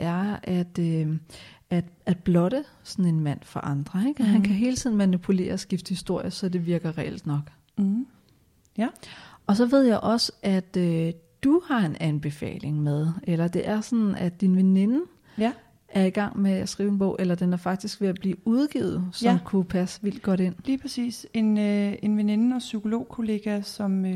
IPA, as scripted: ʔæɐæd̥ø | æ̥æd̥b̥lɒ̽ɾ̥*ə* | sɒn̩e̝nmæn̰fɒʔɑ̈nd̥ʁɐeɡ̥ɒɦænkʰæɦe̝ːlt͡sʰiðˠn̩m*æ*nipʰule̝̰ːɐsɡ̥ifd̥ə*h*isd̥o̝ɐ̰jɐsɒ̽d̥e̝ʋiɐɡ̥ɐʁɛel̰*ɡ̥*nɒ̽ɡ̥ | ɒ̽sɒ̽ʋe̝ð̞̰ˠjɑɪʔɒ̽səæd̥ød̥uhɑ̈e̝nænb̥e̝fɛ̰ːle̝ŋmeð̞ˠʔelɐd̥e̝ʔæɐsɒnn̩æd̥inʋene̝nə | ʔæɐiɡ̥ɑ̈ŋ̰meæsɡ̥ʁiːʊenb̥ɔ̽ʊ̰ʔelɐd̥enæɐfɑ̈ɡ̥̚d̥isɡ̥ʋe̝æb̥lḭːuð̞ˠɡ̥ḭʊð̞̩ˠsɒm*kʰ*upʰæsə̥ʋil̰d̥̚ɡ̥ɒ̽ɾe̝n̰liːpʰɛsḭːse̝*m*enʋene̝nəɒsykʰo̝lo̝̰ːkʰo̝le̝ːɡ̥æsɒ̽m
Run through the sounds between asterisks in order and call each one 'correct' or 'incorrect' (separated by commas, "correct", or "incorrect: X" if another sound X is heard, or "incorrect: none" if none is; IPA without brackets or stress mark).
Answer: correct, correct, correct, incorrect: d̥, correct, incorrect: n